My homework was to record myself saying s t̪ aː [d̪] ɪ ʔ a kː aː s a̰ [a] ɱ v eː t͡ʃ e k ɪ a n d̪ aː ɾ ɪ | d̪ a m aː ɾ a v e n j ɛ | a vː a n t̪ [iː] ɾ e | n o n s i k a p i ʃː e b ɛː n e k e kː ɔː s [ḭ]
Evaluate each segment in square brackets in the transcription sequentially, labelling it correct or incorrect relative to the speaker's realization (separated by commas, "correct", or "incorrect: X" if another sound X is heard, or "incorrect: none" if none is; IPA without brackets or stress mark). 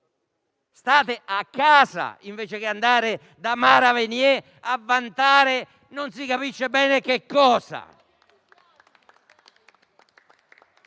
incorrect: t̪, incorrect: i, incorrect: aː, incorrect: a̰